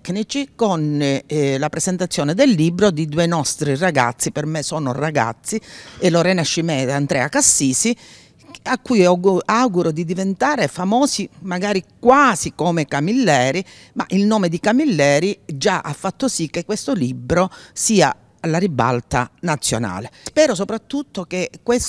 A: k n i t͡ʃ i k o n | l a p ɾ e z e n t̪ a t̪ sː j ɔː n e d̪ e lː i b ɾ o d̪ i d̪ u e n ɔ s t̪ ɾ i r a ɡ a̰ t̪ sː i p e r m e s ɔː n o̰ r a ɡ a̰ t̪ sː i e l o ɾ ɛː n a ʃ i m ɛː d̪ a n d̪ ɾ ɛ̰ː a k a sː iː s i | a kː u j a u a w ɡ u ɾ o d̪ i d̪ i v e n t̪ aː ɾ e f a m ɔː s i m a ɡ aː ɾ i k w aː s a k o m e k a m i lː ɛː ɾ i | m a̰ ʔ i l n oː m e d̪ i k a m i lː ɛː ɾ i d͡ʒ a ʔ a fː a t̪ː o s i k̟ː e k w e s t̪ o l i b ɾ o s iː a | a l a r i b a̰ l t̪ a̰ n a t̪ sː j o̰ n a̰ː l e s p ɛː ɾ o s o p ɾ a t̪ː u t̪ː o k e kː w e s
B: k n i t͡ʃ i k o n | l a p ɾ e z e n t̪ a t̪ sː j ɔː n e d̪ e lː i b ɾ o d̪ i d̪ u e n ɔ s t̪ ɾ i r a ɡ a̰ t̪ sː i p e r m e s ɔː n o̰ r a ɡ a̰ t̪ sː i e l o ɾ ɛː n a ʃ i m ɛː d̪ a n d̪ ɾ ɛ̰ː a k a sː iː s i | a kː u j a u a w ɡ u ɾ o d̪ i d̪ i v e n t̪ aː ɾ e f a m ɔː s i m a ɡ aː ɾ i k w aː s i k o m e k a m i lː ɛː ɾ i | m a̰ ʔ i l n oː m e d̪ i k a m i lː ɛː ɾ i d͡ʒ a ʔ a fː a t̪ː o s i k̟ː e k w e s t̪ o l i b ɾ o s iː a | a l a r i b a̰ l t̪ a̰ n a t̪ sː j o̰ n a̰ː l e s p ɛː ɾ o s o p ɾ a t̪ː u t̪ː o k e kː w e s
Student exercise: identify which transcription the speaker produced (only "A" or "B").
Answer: B